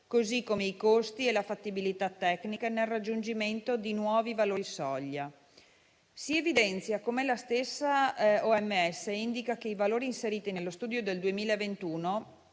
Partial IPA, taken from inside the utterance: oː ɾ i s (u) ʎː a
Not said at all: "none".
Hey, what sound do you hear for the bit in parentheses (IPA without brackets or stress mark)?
ɔ